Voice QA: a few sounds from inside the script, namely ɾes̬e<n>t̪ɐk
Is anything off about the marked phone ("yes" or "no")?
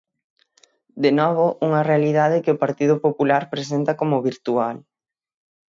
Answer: no